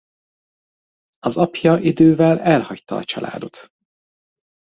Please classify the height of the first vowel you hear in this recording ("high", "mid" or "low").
low